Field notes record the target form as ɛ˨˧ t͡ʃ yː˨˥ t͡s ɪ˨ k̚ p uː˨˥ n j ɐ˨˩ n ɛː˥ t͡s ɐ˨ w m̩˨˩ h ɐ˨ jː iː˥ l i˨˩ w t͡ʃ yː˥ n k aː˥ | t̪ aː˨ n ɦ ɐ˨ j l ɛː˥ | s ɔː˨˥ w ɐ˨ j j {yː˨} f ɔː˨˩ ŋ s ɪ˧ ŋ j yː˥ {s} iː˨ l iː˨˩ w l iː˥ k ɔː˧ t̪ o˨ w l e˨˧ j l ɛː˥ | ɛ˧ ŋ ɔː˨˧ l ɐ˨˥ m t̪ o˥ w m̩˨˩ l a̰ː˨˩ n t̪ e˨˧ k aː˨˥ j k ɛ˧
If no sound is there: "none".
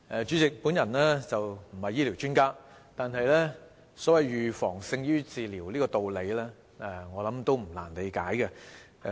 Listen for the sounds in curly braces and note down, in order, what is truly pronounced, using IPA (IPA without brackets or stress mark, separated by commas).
yː˨, t͡s